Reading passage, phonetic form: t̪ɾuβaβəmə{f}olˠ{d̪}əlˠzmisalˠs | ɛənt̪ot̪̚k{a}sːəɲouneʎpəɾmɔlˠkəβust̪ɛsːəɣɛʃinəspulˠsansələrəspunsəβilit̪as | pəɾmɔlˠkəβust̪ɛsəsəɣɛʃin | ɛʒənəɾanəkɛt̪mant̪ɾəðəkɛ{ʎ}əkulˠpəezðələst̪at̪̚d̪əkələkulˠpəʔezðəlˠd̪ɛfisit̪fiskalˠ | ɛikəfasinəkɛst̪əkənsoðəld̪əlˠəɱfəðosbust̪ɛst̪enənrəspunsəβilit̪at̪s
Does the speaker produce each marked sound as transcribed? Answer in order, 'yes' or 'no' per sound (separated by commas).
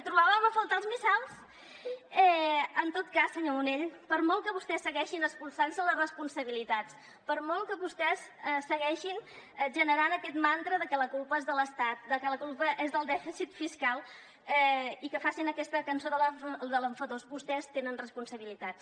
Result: yes, no, yes, no